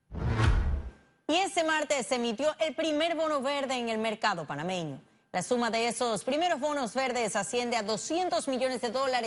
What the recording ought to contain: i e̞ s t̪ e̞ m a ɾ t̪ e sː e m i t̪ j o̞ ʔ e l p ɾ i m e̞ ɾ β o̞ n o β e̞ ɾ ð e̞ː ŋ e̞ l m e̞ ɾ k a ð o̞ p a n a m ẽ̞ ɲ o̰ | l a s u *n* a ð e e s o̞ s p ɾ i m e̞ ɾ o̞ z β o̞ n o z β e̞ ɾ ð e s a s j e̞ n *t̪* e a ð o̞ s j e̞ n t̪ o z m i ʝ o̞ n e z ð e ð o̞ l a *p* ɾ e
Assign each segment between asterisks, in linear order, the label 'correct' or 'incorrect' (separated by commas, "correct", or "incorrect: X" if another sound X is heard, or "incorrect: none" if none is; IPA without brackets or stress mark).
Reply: incorrect: m, incorrect: d̪, incorrect: none